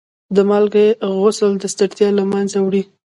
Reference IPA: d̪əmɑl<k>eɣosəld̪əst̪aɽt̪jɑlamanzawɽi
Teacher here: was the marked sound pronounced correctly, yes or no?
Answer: no